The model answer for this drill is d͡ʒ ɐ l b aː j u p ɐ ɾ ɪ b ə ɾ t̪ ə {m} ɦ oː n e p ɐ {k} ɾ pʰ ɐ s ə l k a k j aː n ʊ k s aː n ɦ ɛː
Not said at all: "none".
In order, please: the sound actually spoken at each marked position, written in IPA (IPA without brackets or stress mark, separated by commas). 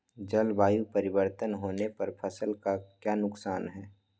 n, none